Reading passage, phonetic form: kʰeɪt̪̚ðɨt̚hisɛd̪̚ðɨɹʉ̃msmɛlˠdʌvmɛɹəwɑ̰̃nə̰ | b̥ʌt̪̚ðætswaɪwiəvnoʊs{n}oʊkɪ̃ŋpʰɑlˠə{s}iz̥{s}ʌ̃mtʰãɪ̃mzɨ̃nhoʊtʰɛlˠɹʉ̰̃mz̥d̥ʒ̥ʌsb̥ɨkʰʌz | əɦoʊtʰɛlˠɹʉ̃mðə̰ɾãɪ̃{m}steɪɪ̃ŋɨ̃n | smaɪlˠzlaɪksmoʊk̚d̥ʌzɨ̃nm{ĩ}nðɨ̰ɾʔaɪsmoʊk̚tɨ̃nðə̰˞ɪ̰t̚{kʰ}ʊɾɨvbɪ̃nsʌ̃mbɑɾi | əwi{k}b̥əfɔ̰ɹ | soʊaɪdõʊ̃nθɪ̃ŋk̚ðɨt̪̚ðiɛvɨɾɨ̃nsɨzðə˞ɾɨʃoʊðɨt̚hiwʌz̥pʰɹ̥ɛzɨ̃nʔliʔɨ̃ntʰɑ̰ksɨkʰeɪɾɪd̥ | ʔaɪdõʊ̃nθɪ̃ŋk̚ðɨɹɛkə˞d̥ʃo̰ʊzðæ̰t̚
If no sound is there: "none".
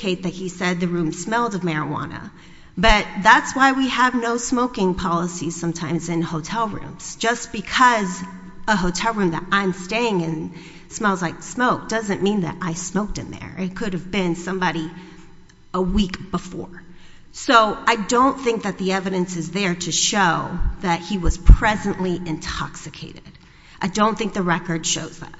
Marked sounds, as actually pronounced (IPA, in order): m, s, s, m, ĩ, kʰ, k

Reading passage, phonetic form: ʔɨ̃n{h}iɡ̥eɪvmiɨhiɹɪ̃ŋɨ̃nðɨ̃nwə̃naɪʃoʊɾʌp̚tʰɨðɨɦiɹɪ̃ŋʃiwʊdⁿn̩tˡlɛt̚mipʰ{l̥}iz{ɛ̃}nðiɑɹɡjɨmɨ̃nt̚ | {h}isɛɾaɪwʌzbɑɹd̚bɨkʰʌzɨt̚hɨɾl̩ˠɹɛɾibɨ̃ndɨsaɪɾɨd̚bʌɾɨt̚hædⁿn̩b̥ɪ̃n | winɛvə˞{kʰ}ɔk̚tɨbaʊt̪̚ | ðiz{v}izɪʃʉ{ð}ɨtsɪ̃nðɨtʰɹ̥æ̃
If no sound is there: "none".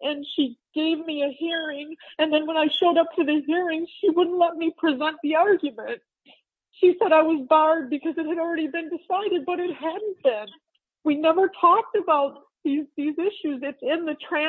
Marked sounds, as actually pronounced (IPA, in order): ʃ, ɹ̥, ɛ̃, ʃ, tʰ, ð, z

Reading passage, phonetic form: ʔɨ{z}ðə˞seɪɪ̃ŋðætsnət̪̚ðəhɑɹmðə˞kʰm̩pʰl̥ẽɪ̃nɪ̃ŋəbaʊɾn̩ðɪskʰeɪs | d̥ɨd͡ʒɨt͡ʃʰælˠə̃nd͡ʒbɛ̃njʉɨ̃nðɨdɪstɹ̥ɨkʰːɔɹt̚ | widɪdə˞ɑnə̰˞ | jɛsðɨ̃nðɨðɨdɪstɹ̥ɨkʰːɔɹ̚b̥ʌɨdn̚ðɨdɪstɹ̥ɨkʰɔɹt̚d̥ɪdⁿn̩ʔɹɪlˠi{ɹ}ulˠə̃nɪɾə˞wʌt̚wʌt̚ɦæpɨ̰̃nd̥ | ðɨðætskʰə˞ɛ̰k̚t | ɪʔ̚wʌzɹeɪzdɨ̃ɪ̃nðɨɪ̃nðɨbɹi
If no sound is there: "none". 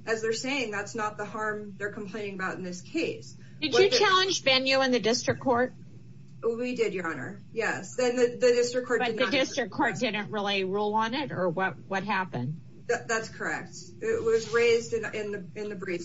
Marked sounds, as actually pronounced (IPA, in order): z, ɹ

